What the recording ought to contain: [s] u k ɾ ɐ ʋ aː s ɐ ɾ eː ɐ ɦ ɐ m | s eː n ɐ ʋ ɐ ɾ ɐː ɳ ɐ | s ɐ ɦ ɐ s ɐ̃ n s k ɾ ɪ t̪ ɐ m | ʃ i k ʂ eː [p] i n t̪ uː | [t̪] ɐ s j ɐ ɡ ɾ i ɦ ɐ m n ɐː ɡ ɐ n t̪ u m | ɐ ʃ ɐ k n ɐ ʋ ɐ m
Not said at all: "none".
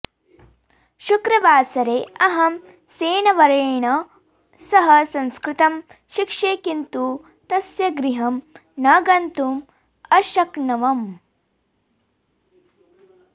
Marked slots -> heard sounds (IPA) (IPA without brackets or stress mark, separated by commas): ʃ, k, t̪